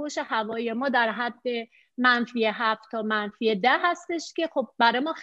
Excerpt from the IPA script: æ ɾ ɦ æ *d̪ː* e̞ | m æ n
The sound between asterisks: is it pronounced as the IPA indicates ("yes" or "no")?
yes